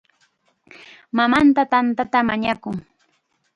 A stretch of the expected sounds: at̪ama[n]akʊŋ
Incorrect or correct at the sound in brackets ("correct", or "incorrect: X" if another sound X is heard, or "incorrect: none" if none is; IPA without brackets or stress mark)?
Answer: incorrect: ɲ